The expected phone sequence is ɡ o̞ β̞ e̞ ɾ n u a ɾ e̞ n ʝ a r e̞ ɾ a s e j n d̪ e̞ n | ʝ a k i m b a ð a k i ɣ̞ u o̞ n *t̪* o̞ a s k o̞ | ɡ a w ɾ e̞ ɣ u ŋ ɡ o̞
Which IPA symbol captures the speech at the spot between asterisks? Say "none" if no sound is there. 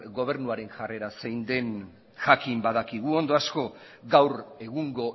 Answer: d̪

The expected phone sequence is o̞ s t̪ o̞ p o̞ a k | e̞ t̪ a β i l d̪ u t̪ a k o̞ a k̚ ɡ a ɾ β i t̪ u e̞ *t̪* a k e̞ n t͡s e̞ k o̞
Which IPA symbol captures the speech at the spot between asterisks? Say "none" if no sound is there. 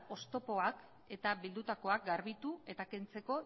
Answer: t̪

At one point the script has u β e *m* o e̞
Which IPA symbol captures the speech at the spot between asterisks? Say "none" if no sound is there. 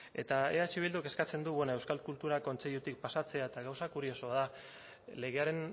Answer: n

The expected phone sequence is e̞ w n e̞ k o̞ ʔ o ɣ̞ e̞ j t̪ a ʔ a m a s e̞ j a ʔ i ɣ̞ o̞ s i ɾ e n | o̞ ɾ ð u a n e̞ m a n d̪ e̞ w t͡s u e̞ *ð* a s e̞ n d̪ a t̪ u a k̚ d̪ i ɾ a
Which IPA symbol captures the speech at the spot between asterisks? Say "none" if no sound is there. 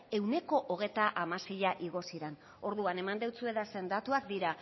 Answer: ð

